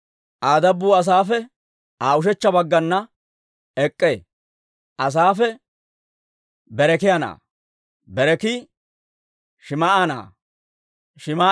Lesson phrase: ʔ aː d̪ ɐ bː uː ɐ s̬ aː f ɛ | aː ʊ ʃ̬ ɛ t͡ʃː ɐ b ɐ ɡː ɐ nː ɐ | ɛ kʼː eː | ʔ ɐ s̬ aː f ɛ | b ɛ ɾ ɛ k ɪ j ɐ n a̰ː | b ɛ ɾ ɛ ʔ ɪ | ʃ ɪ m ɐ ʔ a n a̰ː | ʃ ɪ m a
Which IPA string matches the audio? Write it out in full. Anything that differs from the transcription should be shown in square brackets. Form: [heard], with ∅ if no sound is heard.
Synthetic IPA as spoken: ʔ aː d̪ ɐ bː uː ɐ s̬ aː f ɛ | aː ʊ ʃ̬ ɛ t͡ʃː ɐ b ɐ ɡː ɐ nː ɐ | ɛ kʼː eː | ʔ ɐ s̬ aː f ɛ | b ɛ ɾ ɛ k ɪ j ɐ n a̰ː | b ɛ ɾ ɛ [k] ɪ | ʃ ɪ m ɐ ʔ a n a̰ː | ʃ ɪ m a